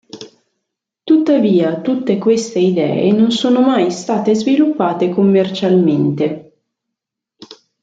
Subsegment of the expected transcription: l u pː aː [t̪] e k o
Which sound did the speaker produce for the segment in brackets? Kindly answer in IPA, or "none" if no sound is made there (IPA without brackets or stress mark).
t̪